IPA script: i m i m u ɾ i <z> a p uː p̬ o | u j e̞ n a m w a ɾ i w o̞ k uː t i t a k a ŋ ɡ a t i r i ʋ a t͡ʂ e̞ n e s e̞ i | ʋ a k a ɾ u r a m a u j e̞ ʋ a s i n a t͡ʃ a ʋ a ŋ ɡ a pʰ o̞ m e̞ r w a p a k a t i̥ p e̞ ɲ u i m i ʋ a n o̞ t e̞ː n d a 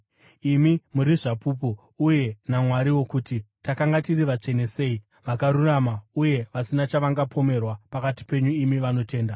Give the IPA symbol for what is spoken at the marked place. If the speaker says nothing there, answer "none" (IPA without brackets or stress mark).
ʐ